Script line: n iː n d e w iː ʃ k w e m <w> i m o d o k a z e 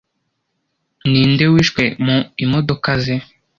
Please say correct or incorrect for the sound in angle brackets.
incorrect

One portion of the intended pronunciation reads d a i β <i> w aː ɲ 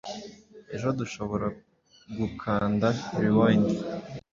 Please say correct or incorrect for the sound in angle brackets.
correct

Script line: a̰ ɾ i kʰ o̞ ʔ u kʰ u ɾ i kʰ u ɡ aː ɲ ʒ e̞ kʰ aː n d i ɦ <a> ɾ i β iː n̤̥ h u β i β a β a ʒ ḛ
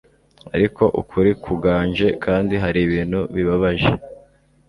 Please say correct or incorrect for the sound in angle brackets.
correct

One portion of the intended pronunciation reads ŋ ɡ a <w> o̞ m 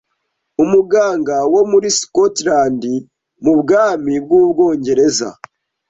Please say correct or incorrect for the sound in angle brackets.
correct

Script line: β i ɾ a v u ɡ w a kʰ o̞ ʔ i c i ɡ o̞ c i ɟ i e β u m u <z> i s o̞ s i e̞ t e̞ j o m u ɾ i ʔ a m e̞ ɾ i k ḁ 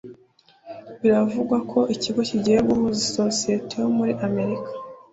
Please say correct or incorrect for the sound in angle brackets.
correct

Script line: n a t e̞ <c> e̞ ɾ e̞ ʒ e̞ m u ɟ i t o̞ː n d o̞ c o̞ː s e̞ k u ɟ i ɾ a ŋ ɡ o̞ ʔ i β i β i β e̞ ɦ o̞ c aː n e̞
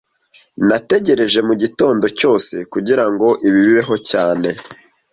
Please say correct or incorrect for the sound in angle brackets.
incorrect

